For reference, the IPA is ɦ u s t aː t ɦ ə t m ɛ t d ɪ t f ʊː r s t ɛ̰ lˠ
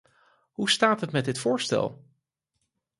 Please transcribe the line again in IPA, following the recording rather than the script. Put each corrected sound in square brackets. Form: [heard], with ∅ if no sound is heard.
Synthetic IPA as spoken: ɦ u s t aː t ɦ ə t m ɛ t d ɪ t f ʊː [ɹ] s t ɛ̰ lˠ